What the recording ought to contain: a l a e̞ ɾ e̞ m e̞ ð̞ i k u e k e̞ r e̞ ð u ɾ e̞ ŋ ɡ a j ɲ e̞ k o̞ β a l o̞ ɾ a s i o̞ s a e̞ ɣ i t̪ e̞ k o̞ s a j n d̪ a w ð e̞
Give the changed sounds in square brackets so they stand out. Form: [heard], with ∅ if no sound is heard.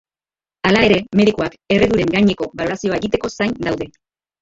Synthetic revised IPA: a l a e̞ ɾ e̞ m e̞ ð̞ i k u [a] k e̞ r e̞ ð u ɾ e̞ ŋ ɡ a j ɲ e̞ k o̞ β a l o̞ ɾ a s i o̞ [∅] a e̞ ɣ i t̪ e̞ k o̞ s a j n d̪ a w ð e̞